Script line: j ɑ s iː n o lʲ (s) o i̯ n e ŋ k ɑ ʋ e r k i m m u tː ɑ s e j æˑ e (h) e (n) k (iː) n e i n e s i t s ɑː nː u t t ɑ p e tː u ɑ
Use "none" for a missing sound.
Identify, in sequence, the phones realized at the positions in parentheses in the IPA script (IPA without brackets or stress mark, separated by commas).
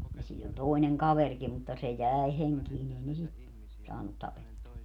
t, h, ŋ, iː